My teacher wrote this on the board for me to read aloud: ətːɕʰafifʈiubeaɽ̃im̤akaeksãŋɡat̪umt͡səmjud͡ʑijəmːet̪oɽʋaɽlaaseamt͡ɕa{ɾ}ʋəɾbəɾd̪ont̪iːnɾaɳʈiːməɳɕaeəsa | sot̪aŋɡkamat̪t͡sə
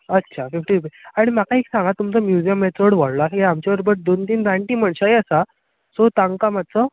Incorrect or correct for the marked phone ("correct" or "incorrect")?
incorrect